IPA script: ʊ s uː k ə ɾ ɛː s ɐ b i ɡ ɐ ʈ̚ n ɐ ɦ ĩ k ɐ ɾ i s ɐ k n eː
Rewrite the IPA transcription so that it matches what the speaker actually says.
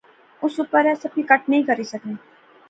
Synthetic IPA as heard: ʊ s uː p ə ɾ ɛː s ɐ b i k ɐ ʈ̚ n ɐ ɦ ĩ k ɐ ɾ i s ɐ k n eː